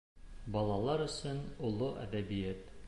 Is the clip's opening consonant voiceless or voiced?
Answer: voiced